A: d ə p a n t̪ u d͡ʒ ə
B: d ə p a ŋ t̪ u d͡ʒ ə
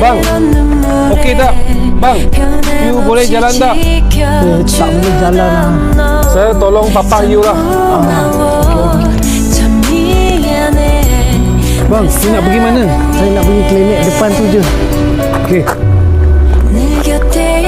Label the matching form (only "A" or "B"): A